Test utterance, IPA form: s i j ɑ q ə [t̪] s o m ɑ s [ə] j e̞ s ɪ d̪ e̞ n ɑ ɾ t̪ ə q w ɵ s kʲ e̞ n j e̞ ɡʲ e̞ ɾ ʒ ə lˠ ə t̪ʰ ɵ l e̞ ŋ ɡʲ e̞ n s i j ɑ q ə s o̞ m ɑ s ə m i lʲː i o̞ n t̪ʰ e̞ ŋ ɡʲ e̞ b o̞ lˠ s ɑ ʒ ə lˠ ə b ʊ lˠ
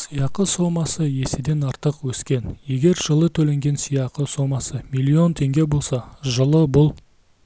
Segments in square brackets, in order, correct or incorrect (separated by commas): incorrect, correct